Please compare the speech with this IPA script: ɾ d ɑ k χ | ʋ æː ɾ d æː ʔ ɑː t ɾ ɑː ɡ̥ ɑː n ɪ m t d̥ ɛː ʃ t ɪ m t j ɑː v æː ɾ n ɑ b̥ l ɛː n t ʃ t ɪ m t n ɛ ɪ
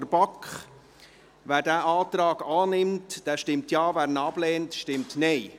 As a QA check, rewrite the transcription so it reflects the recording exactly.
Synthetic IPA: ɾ b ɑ k χ | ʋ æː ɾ d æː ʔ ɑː t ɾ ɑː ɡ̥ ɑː n ɪ m t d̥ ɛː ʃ t ɪ m t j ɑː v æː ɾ n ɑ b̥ l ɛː n t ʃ t ɪ m t n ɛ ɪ